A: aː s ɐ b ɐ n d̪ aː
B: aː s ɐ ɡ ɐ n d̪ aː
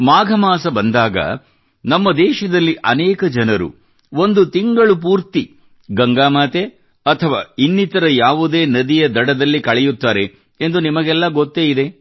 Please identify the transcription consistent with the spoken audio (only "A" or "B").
A